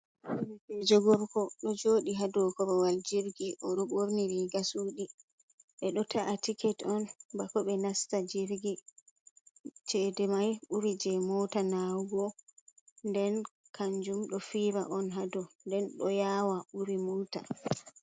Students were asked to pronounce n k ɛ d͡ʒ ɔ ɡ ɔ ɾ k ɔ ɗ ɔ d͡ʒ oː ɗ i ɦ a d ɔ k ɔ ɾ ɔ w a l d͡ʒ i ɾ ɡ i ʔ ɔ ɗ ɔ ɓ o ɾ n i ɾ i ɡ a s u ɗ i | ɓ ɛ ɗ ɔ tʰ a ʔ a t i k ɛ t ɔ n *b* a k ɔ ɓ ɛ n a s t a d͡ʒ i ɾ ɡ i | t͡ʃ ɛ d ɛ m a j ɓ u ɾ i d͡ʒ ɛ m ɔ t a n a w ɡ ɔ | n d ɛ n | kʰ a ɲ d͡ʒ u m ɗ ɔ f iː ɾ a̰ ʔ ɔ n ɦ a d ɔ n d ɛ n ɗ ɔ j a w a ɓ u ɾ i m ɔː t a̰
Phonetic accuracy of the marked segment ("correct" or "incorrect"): correct